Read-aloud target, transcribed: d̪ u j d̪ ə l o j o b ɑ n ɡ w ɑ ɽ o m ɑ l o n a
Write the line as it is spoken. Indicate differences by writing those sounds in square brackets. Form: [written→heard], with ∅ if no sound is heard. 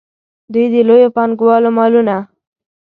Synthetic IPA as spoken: d̪ u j d̪ ə l o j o [b→p] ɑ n ɡ w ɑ [ɽ→l] o m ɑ l [o→u] n a